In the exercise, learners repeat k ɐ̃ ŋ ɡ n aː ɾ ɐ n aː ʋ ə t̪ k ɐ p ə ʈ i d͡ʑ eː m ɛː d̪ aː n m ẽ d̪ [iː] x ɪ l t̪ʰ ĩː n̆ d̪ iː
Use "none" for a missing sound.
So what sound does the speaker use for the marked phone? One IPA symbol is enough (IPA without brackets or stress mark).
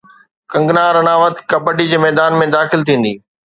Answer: aː